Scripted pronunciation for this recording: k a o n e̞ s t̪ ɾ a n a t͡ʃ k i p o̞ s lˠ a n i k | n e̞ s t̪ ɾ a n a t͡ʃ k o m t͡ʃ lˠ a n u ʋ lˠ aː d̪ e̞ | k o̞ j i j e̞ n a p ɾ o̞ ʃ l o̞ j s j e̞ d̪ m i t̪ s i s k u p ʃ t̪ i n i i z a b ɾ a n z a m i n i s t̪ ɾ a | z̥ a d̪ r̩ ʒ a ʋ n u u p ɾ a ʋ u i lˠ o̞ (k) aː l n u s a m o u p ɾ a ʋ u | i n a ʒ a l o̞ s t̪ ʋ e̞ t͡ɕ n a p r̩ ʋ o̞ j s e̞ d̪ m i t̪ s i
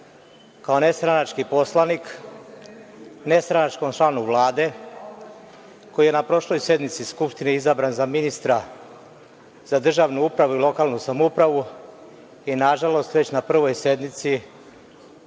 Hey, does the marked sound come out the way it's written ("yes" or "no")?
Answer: yes